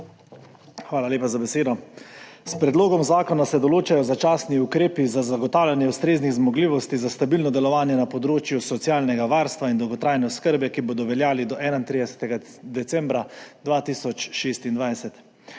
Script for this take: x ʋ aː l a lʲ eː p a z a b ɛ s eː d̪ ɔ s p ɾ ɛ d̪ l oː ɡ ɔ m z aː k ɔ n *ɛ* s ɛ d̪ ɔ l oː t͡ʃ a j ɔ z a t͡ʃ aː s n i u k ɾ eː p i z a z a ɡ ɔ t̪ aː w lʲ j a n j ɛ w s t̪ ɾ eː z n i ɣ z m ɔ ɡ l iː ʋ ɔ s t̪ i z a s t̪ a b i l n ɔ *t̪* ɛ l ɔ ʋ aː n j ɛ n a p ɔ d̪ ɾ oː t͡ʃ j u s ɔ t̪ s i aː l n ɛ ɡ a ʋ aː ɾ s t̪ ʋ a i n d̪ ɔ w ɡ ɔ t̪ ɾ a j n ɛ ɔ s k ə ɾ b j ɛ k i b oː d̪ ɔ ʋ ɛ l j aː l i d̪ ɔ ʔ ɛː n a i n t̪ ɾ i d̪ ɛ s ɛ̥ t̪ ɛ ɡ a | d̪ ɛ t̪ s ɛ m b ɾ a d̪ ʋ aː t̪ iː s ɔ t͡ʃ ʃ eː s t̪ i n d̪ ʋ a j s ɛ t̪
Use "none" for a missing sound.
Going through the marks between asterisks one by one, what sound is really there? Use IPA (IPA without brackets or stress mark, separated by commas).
a, d̪